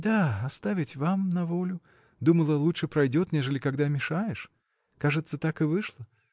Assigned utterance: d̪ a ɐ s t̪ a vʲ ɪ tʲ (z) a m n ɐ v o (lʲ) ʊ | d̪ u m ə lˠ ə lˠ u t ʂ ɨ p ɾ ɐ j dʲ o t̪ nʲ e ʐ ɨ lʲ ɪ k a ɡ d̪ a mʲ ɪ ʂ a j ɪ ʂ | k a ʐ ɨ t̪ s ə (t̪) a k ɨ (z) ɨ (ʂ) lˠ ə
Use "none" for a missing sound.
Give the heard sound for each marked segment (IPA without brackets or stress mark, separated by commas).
v, lʲ, t̪, v, ʂ